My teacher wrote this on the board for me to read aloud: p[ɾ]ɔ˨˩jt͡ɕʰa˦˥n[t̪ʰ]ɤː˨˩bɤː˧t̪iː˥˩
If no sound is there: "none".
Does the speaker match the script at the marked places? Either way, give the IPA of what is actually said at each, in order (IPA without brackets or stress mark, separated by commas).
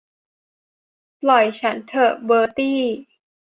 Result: l, t̪ʰ